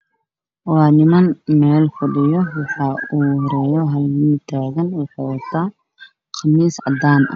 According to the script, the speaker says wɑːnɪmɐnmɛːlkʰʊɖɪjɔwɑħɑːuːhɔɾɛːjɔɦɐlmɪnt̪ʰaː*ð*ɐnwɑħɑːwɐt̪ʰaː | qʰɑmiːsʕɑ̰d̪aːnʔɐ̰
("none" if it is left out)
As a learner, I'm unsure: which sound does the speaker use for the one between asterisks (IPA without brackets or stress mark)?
ɣ